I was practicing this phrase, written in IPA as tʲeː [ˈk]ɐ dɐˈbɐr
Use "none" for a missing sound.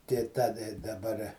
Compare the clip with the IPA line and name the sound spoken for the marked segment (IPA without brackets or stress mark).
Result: t